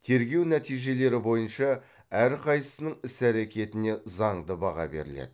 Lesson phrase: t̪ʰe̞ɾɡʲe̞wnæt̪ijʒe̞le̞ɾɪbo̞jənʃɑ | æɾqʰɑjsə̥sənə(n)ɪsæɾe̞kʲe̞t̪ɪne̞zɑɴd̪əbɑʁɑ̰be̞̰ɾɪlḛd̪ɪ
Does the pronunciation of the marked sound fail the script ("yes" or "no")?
yes